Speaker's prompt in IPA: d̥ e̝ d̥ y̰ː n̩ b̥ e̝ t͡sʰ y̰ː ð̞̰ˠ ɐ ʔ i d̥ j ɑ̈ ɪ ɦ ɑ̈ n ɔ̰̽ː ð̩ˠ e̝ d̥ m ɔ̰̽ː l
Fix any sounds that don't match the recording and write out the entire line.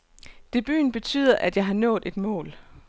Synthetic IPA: d̥ e̝ b̥ y̰ː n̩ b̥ e̝ t͡sʰ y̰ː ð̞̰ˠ ɐ ʔ æ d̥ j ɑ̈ ɪ ɦ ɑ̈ n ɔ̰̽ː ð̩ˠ e̝ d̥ m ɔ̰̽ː l